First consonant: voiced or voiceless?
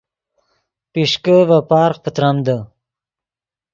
voiceless